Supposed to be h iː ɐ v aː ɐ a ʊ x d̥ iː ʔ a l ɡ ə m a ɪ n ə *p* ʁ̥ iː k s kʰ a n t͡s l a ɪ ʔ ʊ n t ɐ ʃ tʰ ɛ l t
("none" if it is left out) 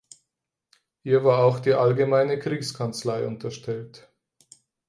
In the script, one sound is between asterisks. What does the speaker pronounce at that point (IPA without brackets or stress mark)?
k